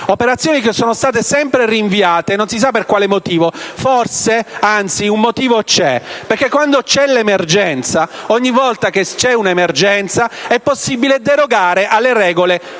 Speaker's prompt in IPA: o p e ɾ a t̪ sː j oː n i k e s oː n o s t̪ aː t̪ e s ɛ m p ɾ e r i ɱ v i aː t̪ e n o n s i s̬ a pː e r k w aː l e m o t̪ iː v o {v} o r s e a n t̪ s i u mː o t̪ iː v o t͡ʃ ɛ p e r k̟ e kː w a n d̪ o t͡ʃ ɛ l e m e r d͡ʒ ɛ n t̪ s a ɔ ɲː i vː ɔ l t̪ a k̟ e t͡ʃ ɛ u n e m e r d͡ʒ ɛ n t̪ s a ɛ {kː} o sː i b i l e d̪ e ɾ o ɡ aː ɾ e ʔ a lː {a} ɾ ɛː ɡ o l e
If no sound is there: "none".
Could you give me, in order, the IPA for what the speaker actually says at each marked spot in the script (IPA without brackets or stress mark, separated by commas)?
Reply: f, pː, e